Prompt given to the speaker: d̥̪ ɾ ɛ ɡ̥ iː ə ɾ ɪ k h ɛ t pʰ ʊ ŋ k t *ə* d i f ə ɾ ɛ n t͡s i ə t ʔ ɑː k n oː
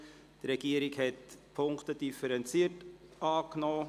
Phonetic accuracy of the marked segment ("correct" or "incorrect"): correct